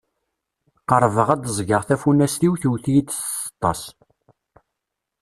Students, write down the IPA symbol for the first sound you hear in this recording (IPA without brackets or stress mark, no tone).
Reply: q